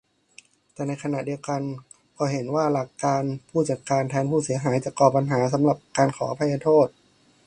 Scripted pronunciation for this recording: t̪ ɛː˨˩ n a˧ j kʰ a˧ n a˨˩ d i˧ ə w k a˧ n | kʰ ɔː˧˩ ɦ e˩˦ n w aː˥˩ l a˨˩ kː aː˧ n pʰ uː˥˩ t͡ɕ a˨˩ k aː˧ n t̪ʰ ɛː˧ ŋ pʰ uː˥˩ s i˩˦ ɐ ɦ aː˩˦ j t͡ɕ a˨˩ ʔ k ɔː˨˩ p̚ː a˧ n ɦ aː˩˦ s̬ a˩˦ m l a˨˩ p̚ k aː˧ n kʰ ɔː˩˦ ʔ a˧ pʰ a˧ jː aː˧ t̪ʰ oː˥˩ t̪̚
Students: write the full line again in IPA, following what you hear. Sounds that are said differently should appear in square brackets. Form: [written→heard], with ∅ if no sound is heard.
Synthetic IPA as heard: t̪ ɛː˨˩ n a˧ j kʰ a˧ n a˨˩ d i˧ ə w k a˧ n | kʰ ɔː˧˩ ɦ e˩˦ n w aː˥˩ l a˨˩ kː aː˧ n pʰ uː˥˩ t͡ɕ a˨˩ k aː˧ n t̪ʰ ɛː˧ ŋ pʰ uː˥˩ s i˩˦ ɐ ɦ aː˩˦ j t͡ɕ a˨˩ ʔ k ɔː˨˩ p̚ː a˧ n ɦ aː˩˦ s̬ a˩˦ m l a˨˩ p̚ k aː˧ n kʰ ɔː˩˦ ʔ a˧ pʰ a˧ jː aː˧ t̪ʰ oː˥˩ t̪̚